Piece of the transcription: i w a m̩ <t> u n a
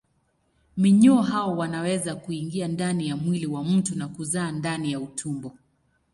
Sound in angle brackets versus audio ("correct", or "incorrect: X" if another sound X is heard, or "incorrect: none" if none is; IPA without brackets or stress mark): correct